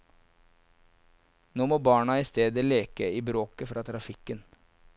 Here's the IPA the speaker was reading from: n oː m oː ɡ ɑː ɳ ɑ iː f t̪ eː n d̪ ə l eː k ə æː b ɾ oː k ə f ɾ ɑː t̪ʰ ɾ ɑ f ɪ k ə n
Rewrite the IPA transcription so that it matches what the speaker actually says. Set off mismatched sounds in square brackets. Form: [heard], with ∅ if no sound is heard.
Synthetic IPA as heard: n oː m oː [b] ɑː ɳ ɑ iː [s] t̪ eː [∅] d̪ ə l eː k ə [iː] b ɾ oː k ə f ɾ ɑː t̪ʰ ɾ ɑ f ɪ k ə n